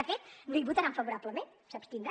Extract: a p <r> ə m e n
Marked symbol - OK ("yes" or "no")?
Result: no